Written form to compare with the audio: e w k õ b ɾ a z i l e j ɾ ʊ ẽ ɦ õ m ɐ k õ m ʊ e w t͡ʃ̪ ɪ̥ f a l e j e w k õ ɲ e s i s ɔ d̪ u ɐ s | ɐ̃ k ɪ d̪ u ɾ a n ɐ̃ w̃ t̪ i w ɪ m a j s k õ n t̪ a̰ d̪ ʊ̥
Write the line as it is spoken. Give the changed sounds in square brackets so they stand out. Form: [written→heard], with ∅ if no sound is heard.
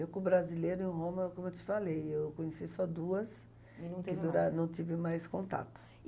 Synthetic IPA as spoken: e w k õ b ɾ a z i l e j ɾ ʊ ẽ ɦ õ m ɐ k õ m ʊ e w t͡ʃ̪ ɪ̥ f a l e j e w k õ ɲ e s i s ɔ d̪ u ɐ s | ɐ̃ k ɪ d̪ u ɾ a n ɐ̃ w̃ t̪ i [w→v] ɪ m a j s k õ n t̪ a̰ [d̪→t̪] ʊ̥